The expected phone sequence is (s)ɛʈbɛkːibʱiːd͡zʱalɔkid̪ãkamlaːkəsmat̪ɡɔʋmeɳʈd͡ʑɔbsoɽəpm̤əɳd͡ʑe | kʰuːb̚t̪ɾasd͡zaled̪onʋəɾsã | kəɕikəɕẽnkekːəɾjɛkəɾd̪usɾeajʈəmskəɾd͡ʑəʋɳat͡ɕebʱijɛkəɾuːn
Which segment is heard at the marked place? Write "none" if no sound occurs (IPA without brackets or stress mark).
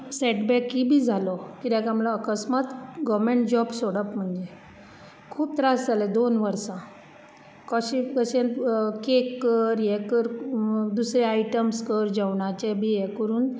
s